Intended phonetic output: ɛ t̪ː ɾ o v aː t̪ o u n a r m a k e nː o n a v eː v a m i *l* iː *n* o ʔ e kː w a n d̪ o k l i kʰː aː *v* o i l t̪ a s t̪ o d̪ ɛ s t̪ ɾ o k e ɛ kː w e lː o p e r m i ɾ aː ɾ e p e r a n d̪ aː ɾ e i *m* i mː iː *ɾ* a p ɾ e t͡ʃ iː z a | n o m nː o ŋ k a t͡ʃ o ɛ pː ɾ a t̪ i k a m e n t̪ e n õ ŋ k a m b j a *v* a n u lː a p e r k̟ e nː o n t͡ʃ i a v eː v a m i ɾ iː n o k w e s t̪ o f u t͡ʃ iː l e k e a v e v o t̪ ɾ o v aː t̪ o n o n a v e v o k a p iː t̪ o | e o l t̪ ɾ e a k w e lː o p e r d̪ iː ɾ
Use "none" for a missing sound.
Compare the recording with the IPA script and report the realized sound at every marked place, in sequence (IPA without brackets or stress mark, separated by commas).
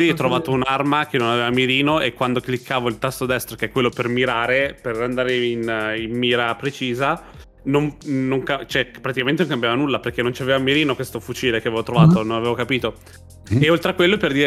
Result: ɾ, n, v, n, ɾ, v